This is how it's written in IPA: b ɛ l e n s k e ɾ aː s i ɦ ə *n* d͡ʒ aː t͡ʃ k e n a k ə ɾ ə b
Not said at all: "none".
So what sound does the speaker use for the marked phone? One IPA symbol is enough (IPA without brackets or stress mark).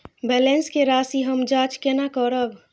m